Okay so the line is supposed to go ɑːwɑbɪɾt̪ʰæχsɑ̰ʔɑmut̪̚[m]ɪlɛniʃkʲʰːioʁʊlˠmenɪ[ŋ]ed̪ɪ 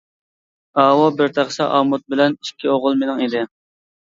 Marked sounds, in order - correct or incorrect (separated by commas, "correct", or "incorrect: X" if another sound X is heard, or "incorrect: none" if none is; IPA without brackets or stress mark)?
incorrect: b, correct